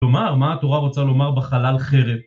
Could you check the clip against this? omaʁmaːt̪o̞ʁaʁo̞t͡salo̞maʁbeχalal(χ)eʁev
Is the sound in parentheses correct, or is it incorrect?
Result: correct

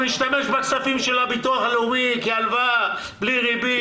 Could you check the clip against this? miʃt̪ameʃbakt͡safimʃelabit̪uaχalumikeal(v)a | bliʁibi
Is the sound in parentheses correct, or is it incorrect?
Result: correct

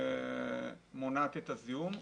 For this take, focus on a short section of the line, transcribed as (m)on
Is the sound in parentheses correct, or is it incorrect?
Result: correct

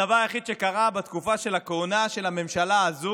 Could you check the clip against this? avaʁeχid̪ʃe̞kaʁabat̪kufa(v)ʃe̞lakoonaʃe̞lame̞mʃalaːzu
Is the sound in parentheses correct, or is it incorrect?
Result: incorrect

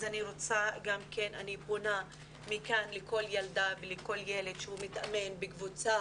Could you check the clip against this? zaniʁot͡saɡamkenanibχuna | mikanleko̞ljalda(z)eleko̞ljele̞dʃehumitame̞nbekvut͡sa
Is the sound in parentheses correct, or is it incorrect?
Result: incorrect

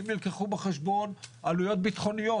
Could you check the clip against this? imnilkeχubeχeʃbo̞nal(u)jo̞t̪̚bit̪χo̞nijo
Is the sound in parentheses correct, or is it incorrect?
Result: correct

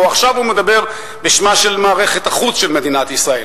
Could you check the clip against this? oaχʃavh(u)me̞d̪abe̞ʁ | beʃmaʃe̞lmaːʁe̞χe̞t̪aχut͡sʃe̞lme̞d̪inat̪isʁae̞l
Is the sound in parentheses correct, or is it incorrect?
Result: correct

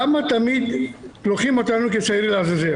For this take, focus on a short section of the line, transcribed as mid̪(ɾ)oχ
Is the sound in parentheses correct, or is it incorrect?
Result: incorrect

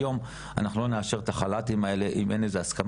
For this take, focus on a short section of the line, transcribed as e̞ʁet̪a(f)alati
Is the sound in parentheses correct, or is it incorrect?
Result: incorrect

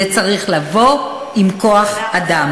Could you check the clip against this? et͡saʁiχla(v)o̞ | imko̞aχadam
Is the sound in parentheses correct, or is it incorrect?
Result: correct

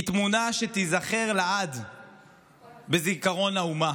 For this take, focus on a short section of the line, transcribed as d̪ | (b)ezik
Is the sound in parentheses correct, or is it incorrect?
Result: correct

